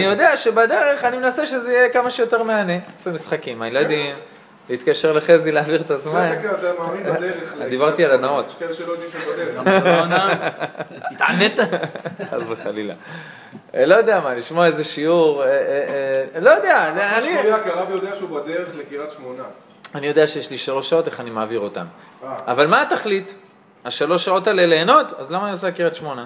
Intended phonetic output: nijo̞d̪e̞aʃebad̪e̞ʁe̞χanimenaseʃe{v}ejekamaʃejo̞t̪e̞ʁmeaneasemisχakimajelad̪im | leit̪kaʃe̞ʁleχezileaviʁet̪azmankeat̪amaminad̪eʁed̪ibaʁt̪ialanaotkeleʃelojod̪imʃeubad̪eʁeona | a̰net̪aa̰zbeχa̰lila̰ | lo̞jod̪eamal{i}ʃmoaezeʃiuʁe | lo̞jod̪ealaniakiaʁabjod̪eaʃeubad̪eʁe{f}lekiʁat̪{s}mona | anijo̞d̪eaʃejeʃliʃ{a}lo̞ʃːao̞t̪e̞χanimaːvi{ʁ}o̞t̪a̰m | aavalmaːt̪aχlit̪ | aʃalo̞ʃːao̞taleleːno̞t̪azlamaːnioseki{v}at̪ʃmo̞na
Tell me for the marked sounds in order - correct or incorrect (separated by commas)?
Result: incorrect, correct, incorrect, incorrect, correct, correct, incorrect